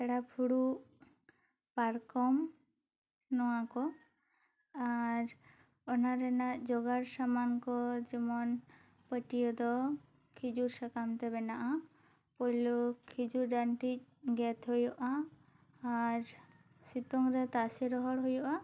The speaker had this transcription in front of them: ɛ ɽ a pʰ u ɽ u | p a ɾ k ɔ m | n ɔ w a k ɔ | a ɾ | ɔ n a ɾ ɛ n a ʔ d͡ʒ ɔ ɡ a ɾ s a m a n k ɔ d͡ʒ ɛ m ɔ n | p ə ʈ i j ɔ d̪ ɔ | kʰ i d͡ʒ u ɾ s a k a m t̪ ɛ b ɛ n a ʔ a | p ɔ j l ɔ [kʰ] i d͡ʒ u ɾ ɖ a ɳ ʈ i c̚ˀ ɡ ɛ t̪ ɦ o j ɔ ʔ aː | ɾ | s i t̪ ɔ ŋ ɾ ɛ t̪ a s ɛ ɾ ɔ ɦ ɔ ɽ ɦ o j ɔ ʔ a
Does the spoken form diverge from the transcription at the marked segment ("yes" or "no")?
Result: no